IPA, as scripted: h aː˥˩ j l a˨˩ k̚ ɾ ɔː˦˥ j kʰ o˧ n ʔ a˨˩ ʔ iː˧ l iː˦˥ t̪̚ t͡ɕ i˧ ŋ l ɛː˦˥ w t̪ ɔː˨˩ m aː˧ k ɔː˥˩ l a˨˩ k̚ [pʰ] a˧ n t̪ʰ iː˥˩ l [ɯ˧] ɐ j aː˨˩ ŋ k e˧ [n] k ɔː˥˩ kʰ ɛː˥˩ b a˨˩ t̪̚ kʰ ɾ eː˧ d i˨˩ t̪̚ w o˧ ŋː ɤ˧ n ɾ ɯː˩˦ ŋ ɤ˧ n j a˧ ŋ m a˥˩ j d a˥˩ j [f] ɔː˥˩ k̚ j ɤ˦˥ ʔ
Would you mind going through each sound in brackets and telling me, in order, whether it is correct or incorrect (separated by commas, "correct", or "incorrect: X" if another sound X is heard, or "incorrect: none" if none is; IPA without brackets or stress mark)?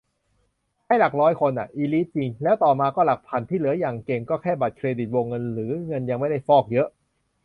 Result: correct, incorrect: ɯ˩˦, incorrect: ŋ, correct